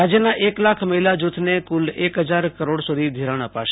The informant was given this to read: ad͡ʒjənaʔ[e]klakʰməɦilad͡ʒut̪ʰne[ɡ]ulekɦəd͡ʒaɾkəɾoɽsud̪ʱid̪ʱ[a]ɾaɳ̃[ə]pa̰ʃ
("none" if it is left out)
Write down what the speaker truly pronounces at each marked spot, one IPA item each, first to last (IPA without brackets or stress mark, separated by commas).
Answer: e, k, i, ə